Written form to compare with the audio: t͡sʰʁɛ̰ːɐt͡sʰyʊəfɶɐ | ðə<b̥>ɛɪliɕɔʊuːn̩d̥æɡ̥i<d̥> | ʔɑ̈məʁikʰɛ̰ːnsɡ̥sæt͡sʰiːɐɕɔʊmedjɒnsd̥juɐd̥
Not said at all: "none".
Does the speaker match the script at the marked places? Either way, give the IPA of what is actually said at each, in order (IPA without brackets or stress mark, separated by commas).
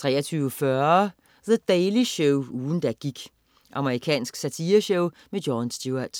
d̥, ɡ̥